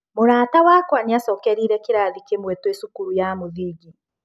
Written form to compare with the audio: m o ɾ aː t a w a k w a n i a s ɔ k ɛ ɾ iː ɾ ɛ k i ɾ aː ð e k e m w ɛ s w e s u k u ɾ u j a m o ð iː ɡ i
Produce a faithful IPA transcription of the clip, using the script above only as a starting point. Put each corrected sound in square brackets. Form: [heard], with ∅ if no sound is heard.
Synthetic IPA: m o ɾ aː t a w a k w a n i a s ɔ k ɛ ɾ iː ɾ ɛ k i ɾ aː ð [i] k e m w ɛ [t] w e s u k u ɾ u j a m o ð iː ɡ i